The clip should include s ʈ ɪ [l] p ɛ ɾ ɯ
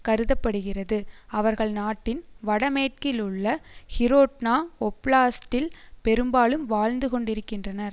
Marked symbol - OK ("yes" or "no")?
yes